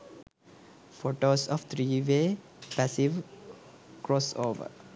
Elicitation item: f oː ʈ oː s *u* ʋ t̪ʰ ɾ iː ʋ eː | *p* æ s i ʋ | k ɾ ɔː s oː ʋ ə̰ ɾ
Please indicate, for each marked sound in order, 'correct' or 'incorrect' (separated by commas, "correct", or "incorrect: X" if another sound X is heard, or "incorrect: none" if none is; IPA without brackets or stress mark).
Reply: incorrect: ɔ, correct